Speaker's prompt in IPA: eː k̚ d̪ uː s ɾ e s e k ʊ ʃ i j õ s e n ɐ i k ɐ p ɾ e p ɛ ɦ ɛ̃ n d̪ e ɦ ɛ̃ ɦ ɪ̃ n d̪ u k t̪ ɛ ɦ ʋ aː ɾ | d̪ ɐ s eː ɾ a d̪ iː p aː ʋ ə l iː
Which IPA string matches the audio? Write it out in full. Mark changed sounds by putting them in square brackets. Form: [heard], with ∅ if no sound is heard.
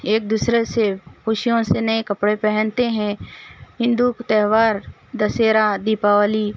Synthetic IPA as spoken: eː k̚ d̪ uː s ɾ e s e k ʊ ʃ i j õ s e n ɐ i k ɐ p [ɽ] e p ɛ ɦ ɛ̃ n [t̪] e ɦ ɛ̃ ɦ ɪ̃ n d̪ u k t̪ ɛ ɦ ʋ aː ɾ | d̪ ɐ s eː ɾ a d̪ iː p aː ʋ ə l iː